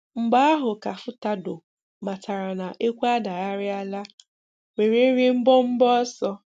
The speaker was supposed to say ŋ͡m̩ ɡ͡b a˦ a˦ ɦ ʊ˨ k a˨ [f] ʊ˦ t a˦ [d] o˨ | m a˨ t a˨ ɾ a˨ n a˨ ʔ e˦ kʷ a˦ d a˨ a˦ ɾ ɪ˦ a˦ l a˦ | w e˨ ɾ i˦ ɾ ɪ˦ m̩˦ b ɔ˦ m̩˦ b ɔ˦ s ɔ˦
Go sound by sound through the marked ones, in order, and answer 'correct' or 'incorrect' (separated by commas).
correct, correct